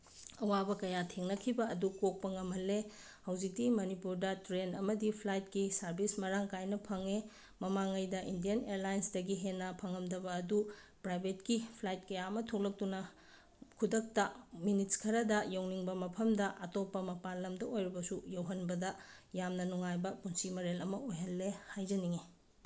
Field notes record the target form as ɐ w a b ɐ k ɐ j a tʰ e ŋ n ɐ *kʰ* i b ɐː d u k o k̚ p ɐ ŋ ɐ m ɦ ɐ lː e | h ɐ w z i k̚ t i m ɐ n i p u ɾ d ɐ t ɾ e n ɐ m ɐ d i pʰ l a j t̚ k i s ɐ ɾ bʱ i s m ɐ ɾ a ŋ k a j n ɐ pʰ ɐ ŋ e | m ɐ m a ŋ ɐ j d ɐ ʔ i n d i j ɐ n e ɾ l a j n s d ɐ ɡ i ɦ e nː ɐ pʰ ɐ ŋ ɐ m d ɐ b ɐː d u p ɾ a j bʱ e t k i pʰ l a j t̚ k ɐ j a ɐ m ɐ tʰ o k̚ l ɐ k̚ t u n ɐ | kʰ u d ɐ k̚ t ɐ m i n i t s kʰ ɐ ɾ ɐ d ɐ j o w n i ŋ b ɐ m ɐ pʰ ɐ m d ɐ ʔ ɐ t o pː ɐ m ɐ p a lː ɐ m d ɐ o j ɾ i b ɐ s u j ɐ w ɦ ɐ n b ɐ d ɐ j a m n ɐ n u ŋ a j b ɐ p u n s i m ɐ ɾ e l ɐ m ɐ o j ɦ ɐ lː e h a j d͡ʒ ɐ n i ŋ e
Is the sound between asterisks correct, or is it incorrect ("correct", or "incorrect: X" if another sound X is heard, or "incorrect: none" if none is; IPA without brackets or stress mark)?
correct